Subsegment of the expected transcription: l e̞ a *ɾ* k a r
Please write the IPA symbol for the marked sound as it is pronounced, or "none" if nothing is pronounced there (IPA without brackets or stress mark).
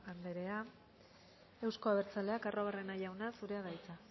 none